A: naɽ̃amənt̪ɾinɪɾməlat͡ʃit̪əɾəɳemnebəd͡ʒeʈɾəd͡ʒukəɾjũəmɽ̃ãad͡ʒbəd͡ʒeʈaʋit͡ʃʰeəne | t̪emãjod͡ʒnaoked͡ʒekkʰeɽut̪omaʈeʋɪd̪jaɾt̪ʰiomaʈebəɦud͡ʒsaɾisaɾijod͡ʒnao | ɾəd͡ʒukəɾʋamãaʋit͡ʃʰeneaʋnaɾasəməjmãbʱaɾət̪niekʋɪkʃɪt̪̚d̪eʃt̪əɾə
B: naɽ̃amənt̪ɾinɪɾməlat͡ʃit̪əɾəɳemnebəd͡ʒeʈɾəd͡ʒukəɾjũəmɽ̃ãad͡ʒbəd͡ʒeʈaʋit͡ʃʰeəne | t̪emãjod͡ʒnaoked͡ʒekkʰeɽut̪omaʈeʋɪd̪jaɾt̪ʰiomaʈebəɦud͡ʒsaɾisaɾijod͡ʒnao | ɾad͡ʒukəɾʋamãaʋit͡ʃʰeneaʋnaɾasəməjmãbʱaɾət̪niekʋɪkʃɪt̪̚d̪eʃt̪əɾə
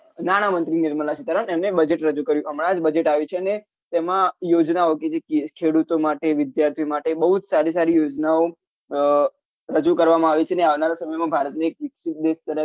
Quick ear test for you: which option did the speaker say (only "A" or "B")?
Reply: A